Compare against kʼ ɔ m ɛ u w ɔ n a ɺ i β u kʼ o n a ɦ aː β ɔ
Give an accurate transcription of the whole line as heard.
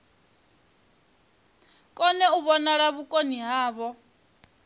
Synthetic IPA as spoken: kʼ ɔ n ɛ u β ɔ n a ɺ a β u kʼ o n i ɦ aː β ɔ

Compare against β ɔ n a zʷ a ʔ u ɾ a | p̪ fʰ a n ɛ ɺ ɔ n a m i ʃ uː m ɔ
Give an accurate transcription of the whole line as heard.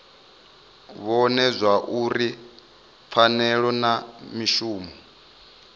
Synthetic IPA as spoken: β ɔ n ɛ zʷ a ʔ u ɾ i | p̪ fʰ a n ɛ ɺ ɔ n a m i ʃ uː m ɔ

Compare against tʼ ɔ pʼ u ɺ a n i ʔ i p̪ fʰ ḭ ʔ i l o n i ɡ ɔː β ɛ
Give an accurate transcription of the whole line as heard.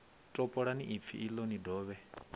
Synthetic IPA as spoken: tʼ ɔ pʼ ɔ ɺ a n i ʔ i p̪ fʰ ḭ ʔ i l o n i d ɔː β ɛ

